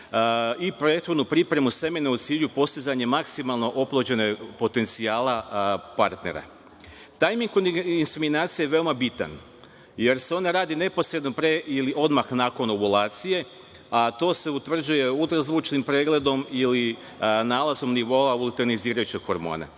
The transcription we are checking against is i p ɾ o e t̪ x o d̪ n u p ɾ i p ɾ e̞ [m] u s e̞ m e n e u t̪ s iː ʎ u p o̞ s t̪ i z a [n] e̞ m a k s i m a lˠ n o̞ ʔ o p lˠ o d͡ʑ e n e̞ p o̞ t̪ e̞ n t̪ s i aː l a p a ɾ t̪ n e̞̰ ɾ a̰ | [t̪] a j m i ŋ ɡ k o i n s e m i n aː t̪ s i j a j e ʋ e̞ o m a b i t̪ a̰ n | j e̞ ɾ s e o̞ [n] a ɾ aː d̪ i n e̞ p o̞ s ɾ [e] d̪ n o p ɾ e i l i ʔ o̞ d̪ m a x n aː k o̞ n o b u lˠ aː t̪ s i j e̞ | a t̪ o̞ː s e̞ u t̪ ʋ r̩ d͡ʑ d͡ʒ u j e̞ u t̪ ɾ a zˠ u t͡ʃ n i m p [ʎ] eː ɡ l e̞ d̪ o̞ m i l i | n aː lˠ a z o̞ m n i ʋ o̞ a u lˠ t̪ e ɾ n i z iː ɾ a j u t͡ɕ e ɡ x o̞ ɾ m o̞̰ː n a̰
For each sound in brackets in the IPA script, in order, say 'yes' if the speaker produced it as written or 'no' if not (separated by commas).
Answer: yes, no, yes, yes, yes, no